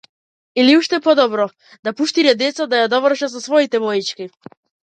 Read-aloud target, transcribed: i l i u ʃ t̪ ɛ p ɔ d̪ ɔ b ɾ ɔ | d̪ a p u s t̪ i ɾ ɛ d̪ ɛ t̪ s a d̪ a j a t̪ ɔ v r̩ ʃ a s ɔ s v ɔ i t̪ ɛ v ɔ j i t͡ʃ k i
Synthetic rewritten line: i l i u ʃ t̪ ɛ p ɔ d̪ ɔ b ɾ ɔ | d̪ a p u ʃ t̪ i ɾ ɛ d̪ ɛ t̪ s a d̪ a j a d̪ ɔ v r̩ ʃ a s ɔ s v ɔ i t̪ ɛ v ɔ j i t͡ʃ k i